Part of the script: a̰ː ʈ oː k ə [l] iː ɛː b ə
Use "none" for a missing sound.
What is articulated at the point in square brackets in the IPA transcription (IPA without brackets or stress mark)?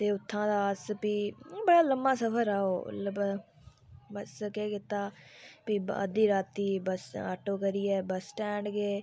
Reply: ɾ